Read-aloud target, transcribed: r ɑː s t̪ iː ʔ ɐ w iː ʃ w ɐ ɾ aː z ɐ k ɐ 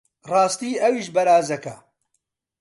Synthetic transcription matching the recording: r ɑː s t̪ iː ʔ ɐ w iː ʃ b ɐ ɾ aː z ɐ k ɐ

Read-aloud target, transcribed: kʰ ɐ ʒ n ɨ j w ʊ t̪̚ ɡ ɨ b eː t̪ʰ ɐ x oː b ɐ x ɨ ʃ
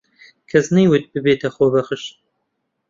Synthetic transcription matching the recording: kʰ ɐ z n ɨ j w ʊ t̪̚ b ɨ b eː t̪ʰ ɐ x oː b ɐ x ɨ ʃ

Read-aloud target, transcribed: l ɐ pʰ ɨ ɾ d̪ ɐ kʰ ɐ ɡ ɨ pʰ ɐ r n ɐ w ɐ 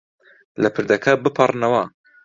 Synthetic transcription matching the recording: l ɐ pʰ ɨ ɾ d̪ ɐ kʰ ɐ b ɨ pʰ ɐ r n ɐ w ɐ

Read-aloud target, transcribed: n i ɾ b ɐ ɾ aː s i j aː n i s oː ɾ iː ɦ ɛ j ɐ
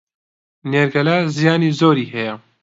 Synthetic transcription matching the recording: n e ɾ ɡ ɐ l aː z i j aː n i z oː ɾ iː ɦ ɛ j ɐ

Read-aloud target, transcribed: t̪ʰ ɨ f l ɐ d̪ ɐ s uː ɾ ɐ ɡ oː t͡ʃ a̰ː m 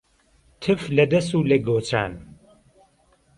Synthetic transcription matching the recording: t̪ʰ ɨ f l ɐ d̪ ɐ s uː l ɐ ɡ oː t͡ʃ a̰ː n

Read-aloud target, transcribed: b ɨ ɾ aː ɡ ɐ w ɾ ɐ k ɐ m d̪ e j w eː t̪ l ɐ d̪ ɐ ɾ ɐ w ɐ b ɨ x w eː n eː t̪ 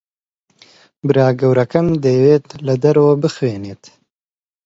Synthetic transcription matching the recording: b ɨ ɾ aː ɡ ɐ w ɾ ɐ k ɐ m d̪ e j w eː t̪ l ɐ d̪ ɐ ɾ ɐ w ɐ b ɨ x w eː n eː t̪

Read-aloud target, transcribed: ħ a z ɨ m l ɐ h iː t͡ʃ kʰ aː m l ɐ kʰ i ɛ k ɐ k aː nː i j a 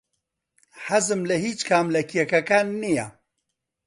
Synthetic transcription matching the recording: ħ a z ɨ m l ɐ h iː t͡ʃ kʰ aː m l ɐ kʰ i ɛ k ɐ k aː nː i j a

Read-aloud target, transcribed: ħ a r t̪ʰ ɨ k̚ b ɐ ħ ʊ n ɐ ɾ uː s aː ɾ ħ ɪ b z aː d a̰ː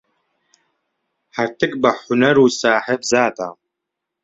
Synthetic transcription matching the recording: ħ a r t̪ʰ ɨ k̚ b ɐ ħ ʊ n ɐ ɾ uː s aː ħ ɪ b z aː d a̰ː

